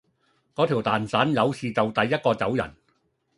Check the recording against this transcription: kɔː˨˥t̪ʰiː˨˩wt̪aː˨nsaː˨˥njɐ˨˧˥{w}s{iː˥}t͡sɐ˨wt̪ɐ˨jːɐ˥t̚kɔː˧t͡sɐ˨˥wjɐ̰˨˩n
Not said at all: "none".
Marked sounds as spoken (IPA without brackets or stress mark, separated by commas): w, iː˨